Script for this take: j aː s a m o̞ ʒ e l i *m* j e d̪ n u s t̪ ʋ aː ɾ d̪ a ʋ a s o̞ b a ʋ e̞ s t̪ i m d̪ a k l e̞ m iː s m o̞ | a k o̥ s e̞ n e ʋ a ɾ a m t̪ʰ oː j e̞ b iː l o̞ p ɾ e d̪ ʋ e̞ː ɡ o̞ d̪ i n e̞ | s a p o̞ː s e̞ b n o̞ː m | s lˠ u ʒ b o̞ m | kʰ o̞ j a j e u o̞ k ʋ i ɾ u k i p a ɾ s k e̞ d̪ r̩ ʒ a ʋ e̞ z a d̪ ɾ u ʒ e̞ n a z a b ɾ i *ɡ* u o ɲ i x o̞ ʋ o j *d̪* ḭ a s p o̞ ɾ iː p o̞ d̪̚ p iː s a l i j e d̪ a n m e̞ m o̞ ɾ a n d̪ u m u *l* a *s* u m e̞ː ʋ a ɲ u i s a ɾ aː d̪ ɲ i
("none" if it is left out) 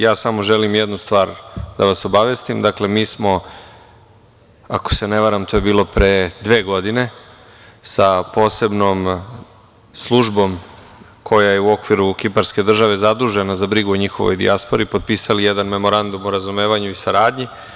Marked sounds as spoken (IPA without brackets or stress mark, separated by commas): m, ɡ, d̪, ɾ, z